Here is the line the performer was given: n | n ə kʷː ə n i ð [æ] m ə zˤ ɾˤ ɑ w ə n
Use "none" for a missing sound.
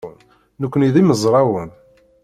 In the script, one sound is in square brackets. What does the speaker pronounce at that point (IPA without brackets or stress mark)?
i